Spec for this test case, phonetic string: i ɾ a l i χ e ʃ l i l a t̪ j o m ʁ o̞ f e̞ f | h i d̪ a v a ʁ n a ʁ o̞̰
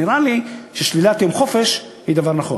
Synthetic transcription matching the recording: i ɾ a l i ʃ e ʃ l i l a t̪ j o m χ o̞ f e̞ ʃ | h i d̪ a v a ʁ n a χ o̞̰